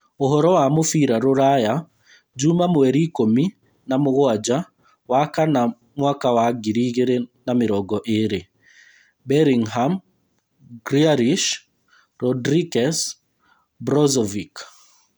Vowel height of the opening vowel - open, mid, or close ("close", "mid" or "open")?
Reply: mid